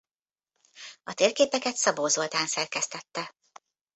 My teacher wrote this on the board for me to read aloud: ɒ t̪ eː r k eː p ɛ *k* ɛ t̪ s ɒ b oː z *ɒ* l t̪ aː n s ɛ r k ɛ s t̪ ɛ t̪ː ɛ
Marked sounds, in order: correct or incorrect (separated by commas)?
correct, incorrect